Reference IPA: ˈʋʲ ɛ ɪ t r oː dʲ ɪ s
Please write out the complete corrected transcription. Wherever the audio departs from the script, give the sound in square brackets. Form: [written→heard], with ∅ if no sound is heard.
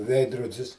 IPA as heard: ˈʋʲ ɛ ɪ [t→d] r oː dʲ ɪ s